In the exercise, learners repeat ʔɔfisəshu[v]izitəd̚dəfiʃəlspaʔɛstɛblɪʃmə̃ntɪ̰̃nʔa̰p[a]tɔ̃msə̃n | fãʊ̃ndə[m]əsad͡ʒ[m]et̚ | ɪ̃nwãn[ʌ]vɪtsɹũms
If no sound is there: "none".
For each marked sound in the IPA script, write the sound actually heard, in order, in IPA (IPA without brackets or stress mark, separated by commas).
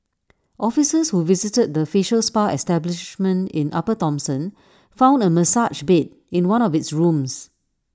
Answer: v, ə, m, b, ɔ